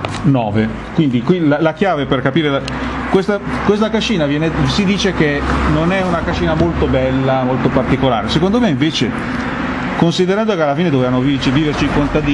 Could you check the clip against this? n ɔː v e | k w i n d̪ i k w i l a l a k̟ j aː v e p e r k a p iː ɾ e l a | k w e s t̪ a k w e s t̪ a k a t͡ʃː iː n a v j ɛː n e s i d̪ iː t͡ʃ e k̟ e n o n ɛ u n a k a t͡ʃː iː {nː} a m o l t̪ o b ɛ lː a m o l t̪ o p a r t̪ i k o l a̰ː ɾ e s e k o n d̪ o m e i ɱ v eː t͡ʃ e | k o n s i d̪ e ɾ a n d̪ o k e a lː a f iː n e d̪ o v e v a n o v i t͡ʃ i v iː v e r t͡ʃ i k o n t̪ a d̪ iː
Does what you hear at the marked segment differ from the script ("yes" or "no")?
yes